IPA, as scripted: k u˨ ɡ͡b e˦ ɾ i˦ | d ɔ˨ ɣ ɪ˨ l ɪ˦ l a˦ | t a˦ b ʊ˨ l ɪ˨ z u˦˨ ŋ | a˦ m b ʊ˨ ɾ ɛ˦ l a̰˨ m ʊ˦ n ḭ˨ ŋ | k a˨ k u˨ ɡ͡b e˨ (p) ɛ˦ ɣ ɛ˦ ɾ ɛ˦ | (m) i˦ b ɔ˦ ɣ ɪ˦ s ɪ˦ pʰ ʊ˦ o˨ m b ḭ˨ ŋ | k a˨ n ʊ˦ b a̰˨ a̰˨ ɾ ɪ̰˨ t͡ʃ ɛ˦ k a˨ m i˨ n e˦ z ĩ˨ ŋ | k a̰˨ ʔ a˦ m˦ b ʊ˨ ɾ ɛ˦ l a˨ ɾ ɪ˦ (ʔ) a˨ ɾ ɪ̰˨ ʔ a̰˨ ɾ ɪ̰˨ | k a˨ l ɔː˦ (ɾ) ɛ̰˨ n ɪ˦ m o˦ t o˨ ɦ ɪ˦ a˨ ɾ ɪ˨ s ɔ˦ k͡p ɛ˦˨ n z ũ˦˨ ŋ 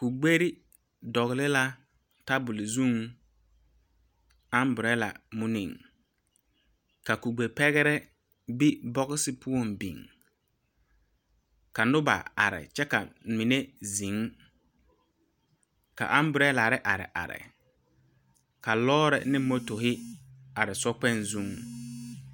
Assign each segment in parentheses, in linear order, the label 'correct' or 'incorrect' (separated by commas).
correct, incorrect, correct, correct